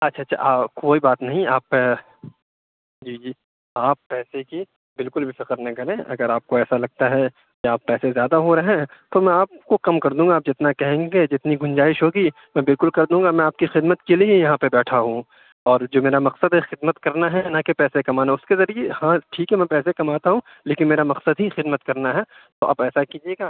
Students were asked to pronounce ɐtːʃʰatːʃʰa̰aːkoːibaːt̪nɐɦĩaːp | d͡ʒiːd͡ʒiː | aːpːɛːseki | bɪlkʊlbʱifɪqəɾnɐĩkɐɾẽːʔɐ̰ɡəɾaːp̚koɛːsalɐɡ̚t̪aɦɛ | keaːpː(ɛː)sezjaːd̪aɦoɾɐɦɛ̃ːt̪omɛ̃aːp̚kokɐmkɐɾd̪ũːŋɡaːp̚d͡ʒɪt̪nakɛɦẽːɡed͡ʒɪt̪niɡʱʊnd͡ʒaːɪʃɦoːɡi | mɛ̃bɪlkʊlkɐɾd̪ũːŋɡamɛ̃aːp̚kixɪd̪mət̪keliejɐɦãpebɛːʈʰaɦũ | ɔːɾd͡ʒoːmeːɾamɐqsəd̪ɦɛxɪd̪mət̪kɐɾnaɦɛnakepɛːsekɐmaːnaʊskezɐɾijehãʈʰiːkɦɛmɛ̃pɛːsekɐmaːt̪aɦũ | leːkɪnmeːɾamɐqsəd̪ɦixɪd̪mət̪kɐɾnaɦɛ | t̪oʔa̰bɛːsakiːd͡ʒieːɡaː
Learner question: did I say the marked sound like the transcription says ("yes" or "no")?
yes